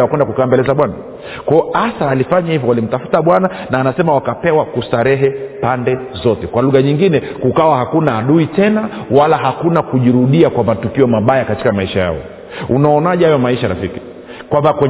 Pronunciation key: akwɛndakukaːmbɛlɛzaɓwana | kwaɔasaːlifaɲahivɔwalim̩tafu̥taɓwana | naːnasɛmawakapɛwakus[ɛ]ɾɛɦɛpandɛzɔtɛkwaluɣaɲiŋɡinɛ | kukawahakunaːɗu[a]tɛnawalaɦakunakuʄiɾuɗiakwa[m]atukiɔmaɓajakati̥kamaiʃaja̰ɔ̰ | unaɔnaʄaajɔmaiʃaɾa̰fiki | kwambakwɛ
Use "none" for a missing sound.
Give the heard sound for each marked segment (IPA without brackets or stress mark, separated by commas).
a, i, m